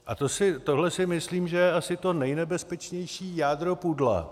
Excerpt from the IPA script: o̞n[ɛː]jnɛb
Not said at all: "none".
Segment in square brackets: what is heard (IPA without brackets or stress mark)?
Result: ɛ